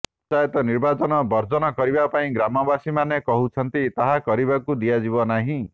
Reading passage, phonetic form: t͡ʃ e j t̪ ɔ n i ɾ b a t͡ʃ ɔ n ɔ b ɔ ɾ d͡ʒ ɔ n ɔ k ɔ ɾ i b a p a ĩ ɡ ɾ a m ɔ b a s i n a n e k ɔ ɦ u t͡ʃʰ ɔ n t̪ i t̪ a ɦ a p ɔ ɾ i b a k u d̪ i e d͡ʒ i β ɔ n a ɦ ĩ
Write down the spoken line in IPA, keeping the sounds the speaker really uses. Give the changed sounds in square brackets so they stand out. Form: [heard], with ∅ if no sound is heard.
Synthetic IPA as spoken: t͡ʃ [a] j t̪ ɔ n i ɾ b a t͡ʃ ɔ n ɔ b ɔ ɾ d͡ʒ ɔ n ɔ k ɔ ɾ i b a p a ĩ ɡ ɾ a m ɔ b a s i [m] a n e k ɔ ɦ u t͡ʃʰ ɔ n t̪ i t̪ a ɦ a [k] ɔ ɾ i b a k u d̪ i [a] d͡ʒ i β ɔ n a ɦ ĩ